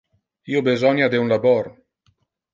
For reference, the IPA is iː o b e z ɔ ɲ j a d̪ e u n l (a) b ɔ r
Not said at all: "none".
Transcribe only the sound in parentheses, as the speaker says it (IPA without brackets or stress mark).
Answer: a